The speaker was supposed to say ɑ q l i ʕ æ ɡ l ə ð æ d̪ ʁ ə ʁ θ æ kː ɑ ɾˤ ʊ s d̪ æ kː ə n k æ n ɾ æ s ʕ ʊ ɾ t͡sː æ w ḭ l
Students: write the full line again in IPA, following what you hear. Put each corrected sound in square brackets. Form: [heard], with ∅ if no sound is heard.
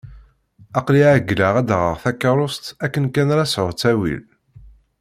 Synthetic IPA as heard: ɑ q l i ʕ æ ɡ l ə [ʁ] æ d̪ ʁ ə ʁ θ æ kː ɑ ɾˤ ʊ s [t̪] æ kː ə n k æ n ɾ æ s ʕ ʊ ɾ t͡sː æ w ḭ l